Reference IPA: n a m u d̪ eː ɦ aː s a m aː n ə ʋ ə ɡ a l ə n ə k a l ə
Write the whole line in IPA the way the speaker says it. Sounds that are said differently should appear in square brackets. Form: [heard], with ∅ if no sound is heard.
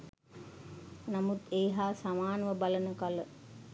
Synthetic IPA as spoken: n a m u [t̪] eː ɦ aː s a m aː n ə ʋ ə [b] a l ə n ə k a l ə